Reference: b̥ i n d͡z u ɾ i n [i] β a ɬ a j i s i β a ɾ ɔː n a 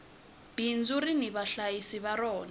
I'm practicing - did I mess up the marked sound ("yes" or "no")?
no